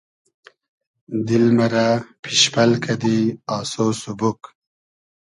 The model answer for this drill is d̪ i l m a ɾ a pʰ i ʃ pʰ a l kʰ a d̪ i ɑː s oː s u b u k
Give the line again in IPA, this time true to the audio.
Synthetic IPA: d̪ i l m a ɾ a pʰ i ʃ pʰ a l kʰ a d̪ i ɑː s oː s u b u k

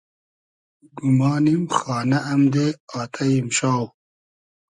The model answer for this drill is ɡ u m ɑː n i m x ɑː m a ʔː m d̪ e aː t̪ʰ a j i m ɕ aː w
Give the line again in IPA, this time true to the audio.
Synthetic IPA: ɡ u m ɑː n i m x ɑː n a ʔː m d̪ e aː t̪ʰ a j i m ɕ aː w

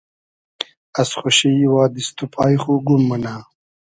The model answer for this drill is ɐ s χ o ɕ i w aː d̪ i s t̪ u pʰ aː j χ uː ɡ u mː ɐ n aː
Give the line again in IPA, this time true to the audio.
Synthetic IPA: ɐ s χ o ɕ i w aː d̪ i s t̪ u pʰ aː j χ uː ɡ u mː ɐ n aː

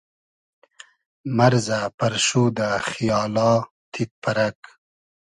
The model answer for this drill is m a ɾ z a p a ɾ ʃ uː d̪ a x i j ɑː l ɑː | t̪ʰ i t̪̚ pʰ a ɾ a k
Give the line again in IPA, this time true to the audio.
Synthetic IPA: m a ɾ z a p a ɾ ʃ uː d̪ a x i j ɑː l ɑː | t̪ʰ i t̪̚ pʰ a ɾ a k

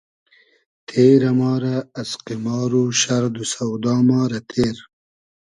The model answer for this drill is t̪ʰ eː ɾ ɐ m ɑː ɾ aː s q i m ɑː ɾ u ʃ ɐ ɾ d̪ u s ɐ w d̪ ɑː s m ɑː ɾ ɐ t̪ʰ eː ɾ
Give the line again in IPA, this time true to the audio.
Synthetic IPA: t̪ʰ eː ɾ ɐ m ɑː ɾ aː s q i m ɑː ɾ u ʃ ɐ ɾ d̪ u s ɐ w d̪ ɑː m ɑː ɾ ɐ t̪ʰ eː ɾ

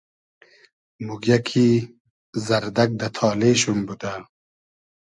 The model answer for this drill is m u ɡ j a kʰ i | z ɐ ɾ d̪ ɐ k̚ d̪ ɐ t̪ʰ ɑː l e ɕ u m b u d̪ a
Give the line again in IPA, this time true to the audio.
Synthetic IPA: m u ɡ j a kʰ i | z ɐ ɾ d̪ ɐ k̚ d̪ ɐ t̪ʰ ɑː l e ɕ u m b u d̪ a

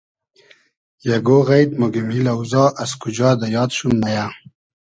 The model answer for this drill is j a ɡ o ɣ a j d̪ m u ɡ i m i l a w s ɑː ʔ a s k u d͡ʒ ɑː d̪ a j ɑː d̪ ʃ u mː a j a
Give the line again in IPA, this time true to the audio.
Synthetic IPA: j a ɡ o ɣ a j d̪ m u ɡ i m i l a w z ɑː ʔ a s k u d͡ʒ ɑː d̪ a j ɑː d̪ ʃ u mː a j a

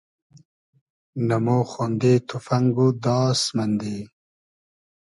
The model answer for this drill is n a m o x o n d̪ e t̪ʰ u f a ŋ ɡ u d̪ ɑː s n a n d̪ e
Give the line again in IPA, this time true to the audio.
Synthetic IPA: n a m o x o n d̪ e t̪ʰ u f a ŋ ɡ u d̪ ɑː s m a n d̪ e

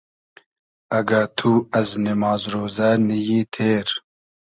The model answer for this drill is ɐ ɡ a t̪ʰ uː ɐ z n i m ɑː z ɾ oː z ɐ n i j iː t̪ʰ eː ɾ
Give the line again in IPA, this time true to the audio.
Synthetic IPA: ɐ ɡ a t̪ʰ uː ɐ z n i m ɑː z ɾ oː z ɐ n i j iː t̪ʰ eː ɾ

